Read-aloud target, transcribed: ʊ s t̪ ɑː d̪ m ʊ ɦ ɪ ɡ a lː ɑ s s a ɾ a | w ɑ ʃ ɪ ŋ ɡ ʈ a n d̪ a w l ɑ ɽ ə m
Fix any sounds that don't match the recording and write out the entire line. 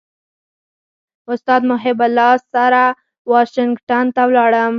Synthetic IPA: ʊ s t̪ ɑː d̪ m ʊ ɦ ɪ b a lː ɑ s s a ɾ a | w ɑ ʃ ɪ ŋ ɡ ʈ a n t̪ a w l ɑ ɽ ə m